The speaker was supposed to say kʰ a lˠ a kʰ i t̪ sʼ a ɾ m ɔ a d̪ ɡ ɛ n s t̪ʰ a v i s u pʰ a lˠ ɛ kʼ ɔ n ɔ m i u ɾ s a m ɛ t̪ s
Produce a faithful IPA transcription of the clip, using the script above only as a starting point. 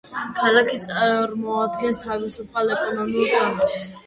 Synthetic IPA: kʰ a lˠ a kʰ i t̪ sʼ a ɾ m ɔ a d̪ ɡ ɛ n s t̪ʰ a v i s u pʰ a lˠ ɛ kʼ ɔ n ɔ m i u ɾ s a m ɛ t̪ s